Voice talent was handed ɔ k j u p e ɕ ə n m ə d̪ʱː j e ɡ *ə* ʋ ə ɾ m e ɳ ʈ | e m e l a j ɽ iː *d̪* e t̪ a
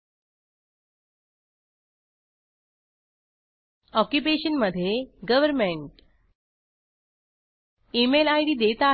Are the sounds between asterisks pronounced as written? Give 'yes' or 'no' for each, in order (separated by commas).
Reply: yes, yes